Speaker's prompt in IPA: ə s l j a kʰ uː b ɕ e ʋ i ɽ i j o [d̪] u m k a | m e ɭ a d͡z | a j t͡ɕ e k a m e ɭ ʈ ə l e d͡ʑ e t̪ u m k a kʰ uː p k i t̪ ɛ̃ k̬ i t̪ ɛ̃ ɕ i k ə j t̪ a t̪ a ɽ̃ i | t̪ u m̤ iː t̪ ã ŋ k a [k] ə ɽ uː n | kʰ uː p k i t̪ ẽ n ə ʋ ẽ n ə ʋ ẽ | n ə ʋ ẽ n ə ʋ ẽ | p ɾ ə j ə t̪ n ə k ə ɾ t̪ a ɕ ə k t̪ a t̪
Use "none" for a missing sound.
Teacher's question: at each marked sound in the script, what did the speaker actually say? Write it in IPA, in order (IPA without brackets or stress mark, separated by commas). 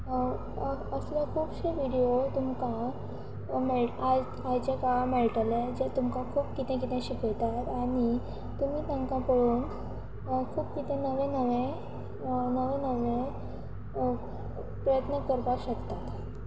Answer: t̪, p